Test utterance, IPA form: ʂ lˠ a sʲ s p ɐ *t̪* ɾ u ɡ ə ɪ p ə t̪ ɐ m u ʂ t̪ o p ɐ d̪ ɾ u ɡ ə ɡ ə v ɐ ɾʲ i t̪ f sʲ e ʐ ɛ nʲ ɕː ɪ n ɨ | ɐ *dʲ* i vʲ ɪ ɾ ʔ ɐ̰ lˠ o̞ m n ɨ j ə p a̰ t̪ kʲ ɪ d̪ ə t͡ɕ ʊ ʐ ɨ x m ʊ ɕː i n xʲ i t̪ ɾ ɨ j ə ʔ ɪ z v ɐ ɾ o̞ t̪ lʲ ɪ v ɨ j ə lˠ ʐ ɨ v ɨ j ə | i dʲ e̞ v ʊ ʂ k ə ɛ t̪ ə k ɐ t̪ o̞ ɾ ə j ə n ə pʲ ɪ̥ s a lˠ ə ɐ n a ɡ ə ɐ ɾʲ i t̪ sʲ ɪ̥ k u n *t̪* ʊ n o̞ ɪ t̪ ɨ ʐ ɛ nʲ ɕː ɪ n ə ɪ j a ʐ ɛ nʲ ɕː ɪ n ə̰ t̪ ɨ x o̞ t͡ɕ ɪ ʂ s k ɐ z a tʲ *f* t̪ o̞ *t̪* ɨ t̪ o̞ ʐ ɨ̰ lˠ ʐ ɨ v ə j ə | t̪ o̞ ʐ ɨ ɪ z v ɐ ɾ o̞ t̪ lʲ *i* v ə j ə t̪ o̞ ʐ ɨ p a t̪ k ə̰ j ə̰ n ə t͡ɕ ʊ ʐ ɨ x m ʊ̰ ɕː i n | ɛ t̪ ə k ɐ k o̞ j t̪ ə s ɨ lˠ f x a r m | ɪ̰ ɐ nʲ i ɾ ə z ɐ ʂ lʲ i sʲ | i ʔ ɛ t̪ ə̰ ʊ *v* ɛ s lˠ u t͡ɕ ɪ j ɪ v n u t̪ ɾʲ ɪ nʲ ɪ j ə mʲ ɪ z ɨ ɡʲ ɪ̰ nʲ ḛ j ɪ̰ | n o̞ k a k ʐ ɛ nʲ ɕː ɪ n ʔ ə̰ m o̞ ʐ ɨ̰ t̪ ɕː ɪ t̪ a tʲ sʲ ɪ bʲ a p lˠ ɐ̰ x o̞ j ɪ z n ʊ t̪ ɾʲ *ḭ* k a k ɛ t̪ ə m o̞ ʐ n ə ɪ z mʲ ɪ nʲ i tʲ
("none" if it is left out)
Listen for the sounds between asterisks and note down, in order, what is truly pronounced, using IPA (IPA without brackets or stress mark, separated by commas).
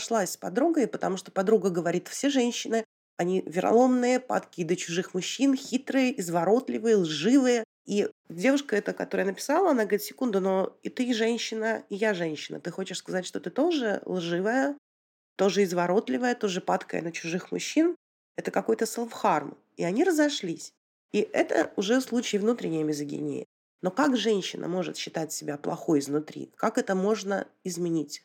d̪, nʲ, d̪, ʂ, t̪, ɪ, ʐ, ḭ